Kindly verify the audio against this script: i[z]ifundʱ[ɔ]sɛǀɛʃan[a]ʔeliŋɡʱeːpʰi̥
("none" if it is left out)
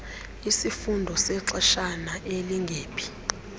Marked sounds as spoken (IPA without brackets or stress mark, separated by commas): s, ɔ, a